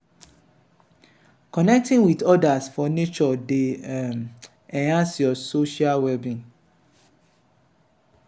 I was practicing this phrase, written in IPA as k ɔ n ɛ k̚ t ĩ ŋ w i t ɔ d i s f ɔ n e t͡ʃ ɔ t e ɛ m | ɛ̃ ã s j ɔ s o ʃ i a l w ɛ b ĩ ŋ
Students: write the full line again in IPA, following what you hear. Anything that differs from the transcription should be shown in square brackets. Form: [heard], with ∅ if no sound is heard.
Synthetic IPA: k ɔ n ɛ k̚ t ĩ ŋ w i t ɔ d [a] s f ɔ n e t͡ʃ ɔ [d] e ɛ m | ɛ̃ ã s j ɔ s o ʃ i a l w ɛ b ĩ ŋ